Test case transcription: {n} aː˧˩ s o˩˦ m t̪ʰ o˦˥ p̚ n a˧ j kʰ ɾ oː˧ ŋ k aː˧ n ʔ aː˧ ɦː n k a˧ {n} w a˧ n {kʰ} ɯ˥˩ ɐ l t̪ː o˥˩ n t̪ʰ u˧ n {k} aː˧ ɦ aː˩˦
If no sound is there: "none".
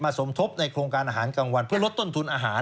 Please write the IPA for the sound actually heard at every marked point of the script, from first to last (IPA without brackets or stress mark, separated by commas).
m, ŋ, pʰ, ʔ